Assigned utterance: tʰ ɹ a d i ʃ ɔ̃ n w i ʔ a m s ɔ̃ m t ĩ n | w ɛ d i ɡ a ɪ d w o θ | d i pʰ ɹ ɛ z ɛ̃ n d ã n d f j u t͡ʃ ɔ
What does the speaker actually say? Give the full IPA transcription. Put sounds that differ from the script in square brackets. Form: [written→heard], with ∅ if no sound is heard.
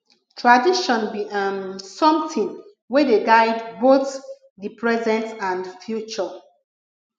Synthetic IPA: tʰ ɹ a d i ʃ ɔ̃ n [w→b] i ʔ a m s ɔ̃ m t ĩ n | w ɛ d [i→e] ɡ a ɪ d [w→b] o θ | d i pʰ ɹ ɛ z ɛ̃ n [d→t] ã n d f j u t͡ʃ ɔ

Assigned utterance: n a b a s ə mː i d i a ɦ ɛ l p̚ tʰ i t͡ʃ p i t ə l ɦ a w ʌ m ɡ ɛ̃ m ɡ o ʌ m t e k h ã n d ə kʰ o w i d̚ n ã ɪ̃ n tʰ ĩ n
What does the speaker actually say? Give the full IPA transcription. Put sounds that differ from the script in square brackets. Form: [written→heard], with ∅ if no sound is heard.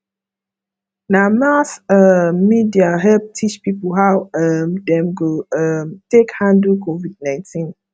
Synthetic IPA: n a [b→m] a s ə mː i d i a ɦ ɛ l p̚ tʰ i t͡ʃ p i [t→p] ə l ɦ a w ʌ m [ɡ→d] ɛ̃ m ɡ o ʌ m t e k h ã n d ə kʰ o [w→v] i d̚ n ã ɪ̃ n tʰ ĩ n

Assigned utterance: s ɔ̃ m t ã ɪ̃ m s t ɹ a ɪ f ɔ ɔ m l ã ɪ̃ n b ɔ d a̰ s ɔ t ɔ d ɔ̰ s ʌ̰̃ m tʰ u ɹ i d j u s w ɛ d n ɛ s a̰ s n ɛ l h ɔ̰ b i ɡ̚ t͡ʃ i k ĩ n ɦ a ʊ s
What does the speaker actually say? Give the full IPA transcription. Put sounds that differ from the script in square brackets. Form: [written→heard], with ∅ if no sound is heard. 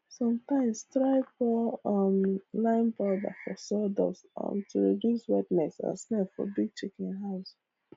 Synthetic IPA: s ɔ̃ m t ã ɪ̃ m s t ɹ a ɪ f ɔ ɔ m l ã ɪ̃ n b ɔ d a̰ [s→f] ɔ [t→s] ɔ d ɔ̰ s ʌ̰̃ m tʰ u ɹ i d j u s w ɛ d n ɛ s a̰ s n ɛ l [h→f] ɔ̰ b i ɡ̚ t͡ʃ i k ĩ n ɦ a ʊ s

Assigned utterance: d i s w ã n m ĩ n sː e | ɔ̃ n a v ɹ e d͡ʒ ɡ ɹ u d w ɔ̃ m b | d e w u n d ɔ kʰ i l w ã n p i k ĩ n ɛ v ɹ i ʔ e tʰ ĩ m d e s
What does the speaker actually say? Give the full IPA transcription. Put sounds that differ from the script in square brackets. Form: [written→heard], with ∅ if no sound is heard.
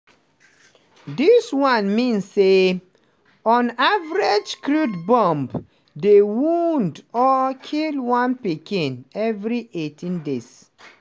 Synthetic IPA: d i s w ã n m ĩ n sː e | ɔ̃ n a v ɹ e d͡ʒ [ɡ→k] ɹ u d [w→b] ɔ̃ m b | d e w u n d ɔ kʰ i l w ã n p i k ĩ n ɛ v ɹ i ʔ e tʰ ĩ [m→n] d e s

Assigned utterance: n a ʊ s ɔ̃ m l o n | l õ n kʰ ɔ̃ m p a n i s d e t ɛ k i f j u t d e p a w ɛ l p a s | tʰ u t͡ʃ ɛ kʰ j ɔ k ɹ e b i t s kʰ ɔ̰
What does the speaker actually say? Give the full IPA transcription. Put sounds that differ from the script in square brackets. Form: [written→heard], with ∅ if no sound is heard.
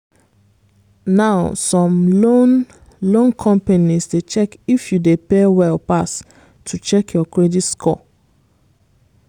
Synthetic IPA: n a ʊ s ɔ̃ m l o n | l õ n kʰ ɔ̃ m p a n i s d e [t→t͡ʃ] ɛ k i f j u [t→∅] d e p [a→e] w ɛ l p a s | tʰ u t͡ʃ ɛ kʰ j ɔ k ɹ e [b→d] i t s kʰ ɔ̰

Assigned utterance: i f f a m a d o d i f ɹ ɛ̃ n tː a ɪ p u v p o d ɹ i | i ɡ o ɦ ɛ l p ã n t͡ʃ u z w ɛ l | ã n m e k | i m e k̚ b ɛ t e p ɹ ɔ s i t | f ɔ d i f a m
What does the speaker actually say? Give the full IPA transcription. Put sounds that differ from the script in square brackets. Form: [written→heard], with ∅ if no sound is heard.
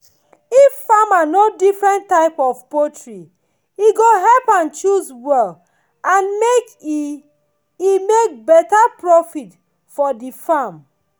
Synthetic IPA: i f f a m a [d→n] o d i f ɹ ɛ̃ n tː a ɪ p [u→ɔ] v p o [d→t] ɹ i | i ɡ o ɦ ɛ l p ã n t͡ʃ u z w ɛ l | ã n m e k | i m e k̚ b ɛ t [e→a] p ɹ ɔ [s→f] i t | f ɔ d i f a m

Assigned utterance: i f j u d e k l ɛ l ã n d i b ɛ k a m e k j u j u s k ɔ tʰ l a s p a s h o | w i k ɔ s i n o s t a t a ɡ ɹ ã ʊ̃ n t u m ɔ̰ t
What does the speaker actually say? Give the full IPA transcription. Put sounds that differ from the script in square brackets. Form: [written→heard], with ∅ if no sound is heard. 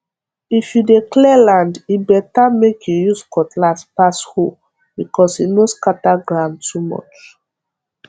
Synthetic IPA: i f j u d e k l ɛ l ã n d i b ɛ [k→t] a m e k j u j u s k ɔ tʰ l a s p a s h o | [w→b] i k ɔ s i n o s [t→k] a t a ɡ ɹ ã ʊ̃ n t u m ɔ̰ [t→t͡ʃ]

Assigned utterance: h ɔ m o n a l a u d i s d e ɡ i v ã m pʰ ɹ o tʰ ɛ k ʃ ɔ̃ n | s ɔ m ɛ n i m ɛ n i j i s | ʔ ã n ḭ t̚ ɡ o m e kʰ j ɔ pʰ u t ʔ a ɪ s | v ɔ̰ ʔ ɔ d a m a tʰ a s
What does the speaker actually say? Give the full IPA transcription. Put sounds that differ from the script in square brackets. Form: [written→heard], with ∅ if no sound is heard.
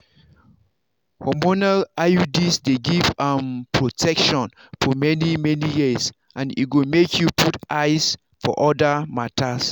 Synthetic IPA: h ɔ m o n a l a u d i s d e ɡ i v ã m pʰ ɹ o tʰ ɛ k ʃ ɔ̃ n | [s→f] ɔ m ɛ n i m ɛ n i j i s | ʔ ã n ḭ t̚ ɡ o m e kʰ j [ɔ→u] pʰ u t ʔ a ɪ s | [v→f] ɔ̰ ʔ ɔ d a m a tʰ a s

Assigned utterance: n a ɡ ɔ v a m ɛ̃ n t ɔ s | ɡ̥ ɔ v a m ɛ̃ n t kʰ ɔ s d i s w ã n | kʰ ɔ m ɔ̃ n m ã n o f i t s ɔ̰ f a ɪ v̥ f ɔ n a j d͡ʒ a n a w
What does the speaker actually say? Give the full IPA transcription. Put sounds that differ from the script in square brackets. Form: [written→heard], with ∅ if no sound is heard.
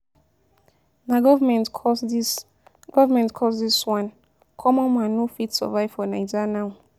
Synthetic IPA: n a ɡ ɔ v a m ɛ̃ n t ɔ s | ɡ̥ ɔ v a m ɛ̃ n t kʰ ɔ s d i s w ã n | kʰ ɔ m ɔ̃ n m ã n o f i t s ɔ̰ [f→v] a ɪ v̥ f ɔ n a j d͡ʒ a n a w

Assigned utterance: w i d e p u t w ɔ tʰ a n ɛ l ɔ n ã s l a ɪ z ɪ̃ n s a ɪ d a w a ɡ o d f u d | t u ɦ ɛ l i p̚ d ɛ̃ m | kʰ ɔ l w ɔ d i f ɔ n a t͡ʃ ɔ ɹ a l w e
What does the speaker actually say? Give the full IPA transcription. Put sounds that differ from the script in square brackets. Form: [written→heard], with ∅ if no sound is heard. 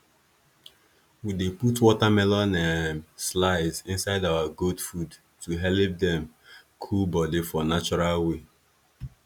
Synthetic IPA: w i d e p u t w ɔ [tʰ→t] a [n→m] ɛ l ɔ n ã s l a ɪ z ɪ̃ n s a ɪ d a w a ɡ o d f u d | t u ɦ ɛ l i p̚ d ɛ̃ m | kʰ [ɔ→u] l [w→b] ɔ d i f ɔ n a t͡ʃ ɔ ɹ a l w e

